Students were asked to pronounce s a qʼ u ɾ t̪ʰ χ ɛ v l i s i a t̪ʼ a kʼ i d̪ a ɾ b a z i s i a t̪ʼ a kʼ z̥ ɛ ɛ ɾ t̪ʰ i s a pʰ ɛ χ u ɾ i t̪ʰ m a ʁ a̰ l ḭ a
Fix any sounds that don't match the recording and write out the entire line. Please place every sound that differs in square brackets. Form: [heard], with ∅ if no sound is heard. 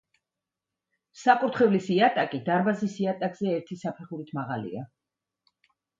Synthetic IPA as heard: s a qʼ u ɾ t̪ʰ χ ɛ v l i s i a t̪ʼ a kʼ i d̪ a ɾ b a z i s i a t̪ʼ a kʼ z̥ ɛ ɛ ɾ t̪ʰ i s a pʰ ɛ χ u ɾ i t̪ʰ m a ʁ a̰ l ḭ a